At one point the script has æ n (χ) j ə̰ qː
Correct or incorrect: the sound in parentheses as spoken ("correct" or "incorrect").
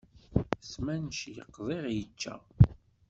incorrect